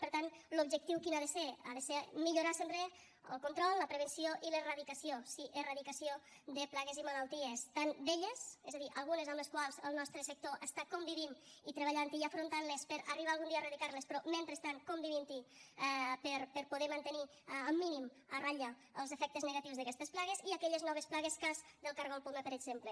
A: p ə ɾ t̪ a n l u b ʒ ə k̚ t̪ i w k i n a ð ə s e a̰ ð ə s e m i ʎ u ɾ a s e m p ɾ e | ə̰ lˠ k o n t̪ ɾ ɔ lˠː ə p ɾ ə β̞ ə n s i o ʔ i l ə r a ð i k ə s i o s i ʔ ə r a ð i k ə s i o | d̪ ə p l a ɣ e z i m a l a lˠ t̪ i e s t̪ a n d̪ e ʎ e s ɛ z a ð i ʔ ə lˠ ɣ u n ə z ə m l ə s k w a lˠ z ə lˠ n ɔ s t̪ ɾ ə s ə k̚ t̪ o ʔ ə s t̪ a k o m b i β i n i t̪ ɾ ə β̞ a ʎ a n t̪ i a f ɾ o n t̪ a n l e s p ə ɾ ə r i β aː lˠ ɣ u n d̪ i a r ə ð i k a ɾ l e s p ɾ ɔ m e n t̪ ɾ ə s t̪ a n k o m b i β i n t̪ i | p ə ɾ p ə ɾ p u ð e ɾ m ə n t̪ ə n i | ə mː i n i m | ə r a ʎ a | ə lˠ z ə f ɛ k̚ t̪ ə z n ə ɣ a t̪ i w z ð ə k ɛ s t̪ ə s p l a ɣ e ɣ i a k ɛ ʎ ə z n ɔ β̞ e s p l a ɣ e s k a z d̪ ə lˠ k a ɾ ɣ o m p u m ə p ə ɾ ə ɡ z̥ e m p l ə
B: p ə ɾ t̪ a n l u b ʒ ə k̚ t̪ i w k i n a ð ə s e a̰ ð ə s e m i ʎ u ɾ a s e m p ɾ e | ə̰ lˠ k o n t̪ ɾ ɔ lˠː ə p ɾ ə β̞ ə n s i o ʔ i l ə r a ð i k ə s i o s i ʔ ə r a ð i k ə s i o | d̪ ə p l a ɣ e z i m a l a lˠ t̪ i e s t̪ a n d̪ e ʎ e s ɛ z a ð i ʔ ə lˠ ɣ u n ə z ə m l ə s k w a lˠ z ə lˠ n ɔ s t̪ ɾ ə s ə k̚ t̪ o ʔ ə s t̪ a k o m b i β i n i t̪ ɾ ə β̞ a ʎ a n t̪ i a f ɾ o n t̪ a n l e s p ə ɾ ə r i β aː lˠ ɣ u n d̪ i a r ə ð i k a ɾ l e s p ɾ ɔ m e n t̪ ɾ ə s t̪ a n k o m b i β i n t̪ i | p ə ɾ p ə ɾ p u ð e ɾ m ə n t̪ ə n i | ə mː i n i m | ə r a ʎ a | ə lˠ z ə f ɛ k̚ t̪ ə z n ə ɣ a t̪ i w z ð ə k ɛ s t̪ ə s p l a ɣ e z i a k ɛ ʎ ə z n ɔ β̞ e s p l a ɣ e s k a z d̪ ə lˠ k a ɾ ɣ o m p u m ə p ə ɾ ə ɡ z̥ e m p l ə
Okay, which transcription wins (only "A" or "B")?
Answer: B